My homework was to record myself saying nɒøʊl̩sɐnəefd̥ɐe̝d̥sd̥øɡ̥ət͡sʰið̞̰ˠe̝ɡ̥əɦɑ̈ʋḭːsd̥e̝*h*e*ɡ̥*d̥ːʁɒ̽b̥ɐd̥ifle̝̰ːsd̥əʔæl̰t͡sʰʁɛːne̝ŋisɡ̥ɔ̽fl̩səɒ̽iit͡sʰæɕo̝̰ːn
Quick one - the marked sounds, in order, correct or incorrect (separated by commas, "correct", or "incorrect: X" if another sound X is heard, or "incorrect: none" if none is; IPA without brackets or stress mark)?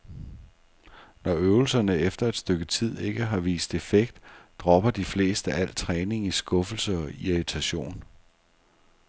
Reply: incorrect: f, correct